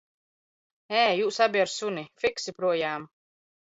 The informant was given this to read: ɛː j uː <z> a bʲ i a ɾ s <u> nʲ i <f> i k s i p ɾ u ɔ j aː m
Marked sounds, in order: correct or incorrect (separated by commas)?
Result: incorrect, correct, correct